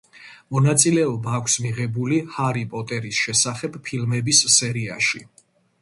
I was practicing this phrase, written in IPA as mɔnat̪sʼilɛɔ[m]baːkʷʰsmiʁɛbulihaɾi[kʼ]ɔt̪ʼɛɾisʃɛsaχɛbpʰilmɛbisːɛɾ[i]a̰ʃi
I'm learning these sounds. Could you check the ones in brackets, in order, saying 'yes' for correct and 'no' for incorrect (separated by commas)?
no, no, yes